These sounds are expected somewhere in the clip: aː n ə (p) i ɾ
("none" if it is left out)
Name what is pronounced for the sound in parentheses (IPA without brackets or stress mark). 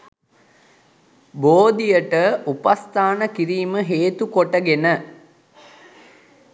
k